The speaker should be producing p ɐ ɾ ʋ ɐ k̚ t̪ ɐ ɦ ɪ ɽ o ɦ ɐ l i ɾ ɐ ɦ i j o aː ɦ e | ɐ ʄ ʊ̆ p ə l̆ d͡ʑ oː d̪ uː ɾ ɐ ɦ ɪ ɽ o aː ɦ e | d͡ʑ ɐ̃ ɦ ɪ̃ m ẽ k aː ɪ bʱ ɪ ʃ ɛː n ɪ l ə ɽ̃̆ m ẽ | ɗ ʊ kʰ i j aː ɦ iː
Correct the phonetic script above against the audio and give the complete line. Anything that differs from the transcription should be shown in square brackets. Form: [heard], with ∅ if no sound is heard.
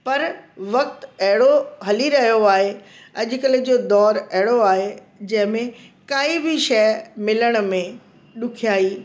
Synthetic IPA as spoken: p ɐ ɾ ʋ ɐ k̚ t̪ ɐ ɦ ɪ ɽ o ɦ ɐ l i ɾ ɐ ɦ i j o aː ɦ e | ɐ ʄ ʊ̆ [k] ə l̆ d͡ʑ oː d̪ [ɔː] ɾ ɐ ɦ ɪ ɽ o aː ɦ e | d͡ʑ ɐ̃ ɦ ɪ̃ m ẽ k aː [i] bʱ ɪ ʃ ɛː [m] ɪ l ə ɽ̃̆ m ẽ | ɗ ʊ kʰ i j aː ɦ iː